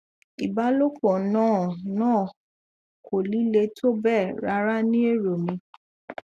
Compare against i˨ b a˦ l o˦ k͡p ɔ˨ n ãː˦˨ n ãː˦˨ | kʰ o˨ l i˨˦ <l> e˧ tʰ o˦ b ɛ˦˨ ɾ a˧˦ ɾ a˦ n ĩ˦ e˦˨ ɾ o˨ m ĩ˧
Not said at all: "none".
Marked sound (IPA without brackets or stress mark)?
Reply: l